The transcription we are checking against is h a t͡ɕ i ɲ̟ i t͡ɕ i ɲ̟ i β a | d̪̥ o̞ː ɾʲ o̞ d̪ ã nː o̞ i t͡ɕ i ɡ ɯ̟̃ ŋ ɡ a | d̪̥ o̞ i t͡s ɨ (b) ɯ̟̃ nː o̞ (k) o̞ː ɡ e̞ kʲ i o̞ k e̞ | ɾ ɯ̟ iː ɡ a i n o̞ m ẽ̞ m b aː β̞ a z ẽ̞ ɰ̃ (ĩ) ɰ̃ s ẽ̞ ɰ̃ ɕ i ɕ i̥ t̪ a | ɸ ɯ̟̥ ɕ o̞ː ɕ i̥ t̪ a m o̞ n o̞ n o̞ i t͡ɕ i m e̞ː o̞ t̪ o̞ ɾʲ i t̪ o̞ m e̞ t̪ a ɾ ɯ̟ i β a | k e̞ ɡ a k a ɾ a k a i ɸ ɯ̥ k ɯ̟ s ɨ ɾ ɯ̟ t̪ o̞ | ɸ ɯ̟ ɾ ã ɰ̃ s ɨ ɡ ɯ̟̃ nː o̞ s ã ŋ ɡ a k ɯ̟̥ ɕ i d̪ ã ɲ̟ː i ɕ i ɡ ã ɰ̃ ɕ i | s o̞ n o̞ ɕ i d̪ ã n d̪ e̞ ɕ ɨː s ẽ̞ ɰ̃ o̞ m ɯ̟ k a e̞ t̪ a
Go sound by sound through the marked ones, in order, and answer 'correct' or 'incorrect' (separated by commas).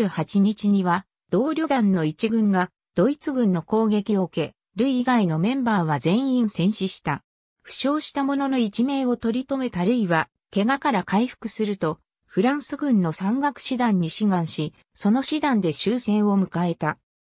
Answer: incorrect, correct, correct